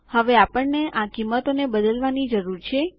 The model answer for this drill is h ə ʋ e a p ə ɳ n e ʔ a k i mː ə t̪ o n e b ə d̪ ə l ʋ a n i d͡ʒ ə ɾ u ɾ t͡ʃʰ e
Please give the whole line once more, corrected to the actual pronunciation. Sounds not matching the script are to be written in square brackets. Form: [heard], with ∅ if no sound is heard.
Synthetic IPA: h ə ʋ e a p ə ɳ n e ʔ a k i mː ə t̪ o n e b ə d̪ ə l ʋ a n i d͡ʒ ə ɾ u ɾ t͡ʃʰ e